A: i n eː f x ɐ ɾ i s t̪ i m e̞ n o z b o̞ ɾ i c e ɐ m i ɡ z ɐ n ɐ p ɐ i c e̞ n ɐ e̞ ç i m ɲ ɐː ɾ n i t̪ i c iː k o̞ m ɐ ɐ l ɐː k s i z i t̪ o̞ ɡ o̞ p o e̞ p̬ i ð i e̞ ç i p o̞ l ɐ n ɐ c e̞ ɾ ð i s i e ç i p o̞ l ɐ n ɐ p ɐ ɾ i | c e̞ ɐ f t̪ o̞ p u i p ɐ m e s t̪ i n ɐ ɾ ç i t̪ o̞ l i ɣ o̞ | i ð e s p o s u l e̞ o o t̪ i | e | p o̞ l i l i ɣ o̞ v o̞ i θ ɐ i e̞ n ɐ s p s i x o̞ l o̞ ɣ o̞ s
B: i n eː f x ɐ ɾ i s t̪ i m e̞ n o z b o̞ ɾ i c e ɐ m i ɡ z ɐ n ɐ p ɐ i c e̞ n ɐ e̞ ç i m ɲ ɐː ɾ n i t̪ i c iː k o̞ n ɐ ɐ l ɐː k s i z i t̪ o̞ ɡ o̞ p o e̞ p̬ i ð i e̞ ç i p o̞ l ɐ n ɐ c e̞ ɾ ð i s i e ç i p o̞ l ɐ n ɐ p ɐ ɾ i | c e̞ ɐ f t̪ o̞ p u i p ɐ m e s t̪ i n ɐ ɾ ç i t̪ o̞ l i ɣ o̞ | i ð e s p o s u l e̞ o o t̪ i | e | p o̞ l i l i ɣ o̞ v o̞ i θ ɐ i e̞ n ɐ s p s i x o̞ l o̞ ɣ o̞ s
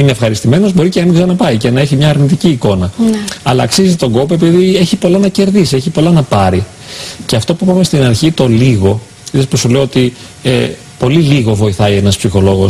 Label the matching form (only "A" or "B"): B